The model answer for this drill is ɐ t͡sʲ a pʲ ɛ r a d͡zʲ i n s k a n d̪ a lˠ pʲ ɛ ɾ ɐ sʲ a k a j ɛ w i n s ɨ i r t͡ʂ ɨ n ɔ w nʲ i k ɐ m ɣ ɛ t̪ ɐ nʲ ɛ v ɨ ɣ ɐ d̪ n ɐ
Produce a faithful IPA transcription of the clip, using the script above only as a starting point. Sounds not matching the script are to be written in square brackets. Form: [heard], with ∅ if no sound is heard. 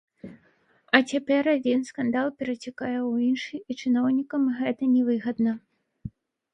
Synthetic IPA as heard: ɐ t͡sʲ a pʲ ɛ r a d͡zʲ i n s k a n d̪ a lˠ pʲ ɛ ɾ ɐ [t͡sʲ] a k a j ɛ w i n [ʂ] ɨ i [∅] t͡ʂ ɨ n ɔ w nʲ i k ɐ m ɣ ɛ t̪ ɐ nʲ ɛ v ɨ ɣ ɐ d̪ n ɐ